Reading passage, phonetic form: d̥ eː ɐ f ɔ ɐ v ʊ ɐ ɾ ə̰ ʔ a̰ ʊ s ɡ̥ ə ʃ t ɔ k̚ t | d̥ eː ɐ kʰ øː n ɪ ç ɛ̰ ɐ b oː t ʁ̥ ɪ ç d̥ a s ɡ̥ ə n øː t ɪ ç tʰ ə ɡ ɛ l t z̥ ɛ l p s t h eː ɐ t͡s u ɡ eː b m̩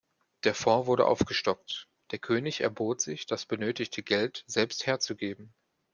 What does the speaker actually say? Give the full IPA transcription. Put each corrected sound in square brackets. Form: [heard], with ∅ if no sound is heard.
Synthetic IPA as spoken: d̥ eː ɐ f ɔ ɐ v ʊ ɐ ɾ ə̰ ʔ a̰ ʊ [f] ɡ̥ ə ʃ t ɔ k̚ t | d̥ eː ɐ kʰ øː n ɪ ç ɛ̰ ɐ b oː t [z̥] ɪ ç d̥ a s [b̥] ə n øː t ɪ ç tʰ ə ɡ ɛ l t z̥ ɛ l p s t h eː ɐ t͡s u ɡ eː b m̩